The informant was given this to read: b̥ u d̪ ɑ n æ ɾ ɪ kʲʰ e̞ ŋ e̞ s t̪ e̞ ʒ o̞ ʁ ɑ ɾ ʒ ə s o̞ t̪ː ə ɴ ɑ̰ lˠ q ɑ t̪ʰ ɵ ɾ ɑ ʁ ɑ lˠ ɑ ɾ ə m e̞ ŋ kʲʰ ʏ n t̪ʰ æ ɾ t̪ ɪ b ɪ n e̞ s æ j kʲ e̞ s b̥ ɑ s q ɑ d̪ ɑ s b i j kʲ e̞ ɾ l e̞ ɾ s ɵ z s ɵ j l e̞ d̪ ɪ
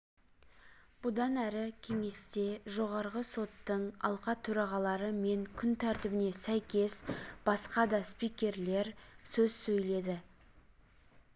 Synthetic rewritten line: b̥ ʊ d̪ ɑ n æ ɾ ɪ kʲʰ e̞ ŋ e̞ s t̪ e̞ ʒ o̞ ʁ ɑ ɾ ʁ ə s o̞ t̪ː ə ɴ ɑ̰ lˠ q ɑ t̪ʰ ɵ ɾ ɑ ʁ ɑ lˠ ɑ ɾ ə m e̞ ŋ kʲʰ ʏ n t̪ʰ æ ɾ t̪ ɪ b ɪ n e̞ s æ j kʲ e̞ s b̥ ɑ s q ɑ d̪ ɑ s p i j kʲ e̞ ɾ l e̞ ɾ s ɵ z s ɵ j l e̞ d̪ ɪ